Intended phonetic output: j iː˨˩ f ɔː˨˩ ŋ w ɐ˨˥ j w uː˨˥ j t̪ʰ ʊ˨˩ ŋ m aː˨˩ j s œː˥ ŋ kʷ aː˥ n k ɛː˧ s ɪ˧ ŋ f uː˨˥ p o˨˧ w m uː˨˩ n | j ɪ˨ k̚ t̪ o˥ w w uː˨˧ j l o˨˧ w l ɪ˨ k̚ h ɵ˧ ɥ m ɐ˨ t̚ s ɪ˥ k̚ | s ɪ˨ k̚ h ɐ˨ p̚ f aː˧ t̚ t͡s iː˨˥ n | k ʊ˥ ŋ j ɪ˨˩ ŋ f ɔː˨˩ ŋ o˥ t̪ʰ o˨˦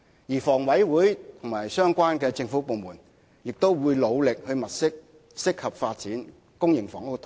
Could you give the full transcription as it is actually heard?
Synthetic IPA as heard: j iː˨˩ f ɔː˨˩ ŋ w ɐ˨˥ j w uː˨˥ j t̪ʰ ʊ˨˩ ŋ m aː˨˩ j s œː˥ ŋ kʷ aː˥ n k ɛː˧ t͡s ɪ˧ ŋ f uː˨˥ p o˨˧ w m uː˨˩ n | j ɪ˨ k̚ t̪ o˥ w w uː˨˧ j l o˨˧ w l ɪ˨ k̚ h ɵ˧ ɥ m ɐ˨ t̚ s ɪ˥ k̚ | s ɪ˥ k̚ h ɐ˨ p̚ f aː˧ t̚ t͡s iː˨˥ n | k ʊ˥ ŋ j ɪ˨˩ ŋ f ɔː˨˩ ŋ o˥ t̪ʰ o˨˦